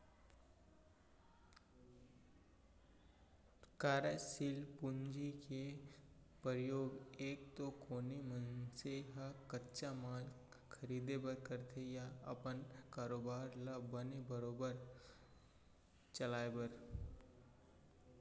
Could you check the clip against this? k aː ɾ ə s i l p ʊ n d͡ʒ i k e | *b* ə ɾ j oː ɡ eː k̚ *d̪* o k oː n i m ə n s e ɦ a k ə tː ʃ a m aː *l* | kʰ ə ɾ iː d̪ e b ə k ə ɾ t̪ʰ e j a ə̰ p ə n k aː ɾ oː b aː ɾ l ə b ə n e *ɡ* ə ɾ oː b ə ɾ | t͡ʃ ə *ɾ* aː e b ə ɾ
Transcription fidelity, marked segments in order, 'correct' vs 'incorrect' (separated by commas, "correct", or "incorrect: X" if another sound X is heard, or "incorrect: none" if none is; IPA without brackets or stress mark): incorrect: p, incorrect: t̪, correct, incorrect: b, incorrect: l